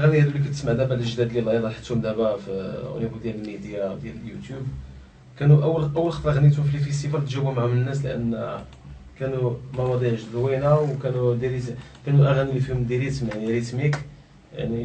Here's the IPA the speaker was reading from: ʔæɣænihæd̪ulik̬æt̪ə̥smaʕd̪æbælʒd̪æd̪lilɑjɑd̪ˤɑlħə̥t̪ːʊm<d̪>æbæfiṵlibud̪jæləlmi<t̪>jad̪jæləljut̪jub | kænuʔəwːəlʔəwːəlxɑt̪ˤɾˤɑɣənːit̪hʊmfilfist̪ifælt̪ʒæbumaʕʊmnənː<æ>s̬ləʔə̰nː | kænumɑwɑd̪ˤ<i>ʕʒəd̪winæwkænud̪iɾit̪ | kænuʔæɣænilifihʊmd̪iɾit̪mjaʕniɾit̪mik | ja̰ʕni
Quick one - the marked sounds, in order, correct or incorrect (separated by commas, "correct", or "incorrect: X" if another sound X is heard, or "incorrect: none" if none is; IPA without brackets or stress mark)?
correct, incorrect: d̪, correct, correct